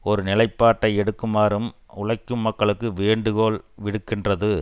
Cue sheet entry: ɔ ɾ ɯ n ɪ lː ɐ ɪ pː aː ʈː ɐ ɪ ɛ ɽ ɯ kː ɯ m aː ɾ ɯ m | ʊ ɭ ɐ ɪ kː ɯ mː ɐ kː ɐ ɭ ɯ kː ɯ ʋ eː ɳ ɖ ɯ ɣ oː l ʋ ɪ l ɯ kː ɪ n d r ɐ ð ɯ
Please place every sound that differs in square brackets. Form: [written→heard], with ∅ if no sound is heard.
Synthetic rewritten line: ɔ ɾ ɯ n ɪ [lː→l] ɐ ɪ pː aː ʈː ɐ ɪ ɛ ɽ ɯ kː ɯ m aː ɾ ɯ m | ʊ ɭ ɐ ɪ kː ɯ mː ɐ kː ɐ ɭ ɯ kː ɯ ʋ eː ɳ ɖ ɯ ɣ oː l ʋ ɪ [l→ɽ] ɯ kː ɪ n d r ɐ ð ɯ